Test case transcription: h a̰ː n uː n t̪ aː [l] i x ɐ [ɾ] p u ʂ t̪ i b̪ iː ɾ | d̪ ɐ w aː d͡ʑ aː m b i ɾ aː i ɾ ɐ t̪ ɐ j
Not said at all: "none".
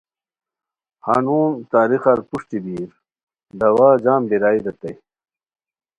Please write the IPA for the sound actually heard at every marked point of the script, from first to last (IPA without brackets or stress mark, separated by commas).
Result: ɾ, ɾ